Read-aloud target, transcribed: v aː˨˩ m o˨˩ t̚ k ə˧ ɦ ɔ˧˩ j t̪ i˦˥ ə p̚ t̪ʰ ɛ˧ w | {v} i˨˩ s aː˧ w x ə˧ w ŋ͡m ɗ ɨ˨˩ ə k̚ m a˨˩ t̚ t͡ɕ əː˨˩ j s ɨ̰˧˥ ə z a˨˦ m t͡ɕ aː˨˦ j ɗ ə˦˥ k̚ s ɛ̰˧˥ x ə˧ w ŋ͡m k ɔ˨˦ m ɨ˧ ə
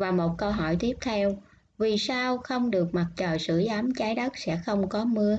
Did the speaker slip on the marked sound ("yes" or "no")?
no